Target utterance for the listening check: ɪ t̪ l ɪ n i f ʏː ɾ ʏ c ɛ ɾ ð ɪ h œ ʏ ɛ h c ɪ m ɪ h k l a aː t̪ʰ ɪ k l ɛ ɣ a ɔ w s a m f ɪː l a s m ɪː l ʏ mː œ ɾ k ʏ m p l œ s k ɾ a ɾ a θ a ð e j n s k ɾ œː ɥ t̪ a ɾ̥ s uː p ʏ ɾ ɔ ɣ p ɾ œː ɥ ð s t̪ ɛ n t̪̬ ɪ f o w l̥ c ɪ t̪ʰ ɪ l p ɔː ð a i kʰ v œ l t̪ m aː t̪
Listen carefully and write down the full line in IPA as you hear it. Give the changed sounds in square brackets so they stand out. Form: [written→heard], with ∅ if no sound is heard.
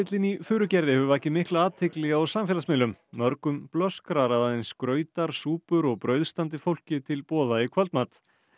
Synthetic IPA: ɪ t̪ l ɪ n i f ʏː ɾ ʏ c ɛ ɾ ð ɪ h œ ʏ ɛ h c ɪ m ɪ h k l a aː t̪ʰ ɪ k l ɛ ɣ a ɔ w s a m f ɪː l a s m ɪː l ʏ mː œ ɾ k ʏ m p l œ s k ɾ a ɾ a [θ→ð] a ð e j n s k ɾ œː ɥ t̪ a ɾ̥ s uː p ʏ ɾ ɔ ɣ p ɾ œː ɥ ð s t̪ [ɛ→a] n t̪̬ ɪ f o w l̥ c ɪ t̪ʰ ɪ l p ɔː ð a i kʰ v œ l t̪ m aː t̪